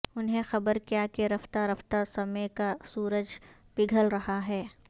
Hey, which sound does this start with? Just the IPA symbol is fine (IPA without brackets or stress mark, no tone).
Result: ʊ